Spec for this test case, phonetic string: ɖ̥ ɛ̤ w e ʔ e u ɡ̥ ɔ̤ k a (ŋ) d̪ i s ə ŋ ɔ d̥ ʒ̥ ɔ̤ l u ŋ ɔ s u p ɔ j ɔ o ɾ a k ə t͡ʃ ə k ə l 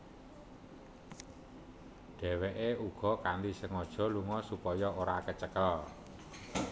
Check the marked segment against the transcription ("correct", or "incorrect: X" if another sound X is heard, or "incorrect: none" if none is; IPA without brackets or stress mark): incorrect: n